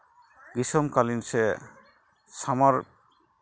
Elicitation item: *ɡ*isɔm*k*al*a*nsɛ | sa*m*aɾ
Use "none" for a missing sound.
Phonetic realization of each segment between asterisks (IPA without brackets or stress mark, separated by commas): ɡ, k, i, m